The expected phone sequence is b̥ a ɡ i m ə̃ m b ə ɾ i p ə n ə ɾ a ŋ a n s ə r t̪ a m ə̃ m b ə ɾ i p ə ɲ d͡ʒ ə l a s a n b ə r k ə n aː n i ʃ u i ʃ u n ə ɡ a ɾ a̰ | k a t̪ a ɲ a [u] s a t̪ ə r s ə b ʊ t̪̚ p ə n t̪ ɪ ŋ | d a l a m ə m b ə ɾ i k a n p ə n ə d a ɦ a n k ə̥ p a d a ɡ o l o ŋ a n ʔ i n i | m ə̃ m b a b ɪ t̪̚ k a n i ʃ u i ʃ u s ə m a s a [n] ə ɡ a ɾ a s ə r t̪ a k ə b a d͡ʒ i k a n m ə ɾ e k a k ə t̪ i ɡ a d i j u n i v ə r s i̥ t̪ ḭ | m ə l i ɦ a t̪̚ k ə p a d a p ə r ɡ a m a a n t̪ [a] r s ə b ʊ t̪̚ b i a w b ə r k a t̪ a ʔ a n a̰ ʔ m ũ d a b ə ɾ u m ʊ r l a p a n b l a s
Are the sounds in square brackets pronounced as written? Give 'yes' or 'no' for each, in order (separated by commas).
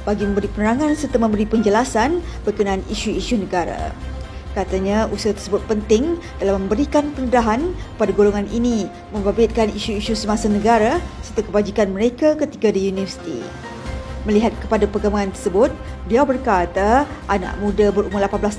yes, yes, no